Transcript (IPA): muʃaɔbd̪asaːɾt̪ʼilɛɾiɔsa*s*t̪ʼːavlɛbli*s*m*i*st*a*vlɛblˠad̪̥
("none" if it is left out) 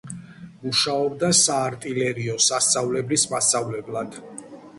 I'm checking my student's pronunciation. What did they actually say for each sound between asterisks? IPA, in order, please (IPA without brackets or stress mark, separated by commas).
s, s, a, a